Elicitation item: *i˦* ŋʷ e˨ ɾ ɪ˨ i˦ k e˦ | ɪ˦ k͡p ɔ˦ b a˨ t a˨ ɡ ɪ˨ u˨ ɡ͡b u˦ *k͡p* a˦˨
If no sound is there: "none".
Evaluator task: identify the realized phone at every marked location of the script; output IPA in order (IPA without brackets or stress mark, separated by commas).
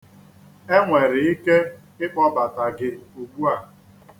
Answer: e˦, none